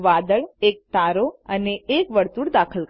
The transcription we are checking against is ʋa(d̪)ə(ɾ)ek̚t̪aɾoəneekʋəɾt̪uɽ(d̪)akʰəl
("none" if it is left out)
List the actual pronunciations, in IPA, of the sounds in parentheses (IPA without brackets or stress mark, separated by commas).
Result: d̪, ɭ, d̪